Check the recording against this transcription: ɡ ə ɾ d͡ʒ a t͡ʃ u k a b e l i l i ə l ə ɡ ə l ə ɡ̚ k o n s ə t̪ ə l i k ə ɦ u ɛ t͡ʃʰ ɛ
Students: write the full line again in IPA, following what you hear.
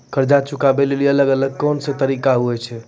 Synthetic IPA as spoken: k ə ɾ d͡ʒ a t͡ʃ u k a b e l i l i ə l ə ɡ ə l ə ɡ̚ k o n s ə t̪ ə ɾ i k a ɦ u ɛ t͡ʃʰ ɛ